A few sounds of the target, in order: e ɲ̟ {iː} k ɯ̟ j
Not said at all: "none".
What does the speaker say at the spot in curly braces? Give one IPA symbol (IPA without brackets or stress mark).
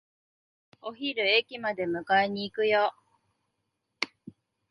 iː